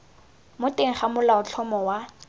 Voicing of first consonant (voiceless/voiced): voiced